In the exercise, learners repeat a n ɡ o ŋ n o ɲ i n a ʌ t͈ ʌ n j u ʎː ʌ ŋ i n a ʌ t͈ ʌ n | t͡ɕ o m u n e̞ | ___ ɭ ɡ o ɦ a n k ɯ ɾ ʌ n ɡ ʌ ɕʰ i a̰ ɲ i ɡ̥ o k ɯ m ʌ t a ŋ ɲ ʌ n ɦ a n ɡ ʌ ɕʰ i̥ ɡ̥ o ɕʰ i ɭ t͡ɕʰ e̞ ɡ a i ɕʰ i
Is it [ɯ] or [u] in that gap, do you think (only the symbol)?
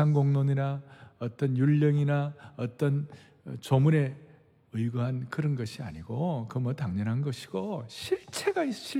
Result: ɯ